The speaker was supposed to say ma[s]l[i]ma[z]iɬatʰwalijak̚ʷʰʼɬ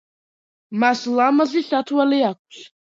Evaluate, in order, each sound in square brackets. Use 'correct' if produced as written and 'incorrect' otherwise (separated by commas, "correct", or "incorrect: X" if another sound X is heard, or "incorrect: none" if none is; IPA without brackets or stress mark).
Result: correct, incorrect: a, correct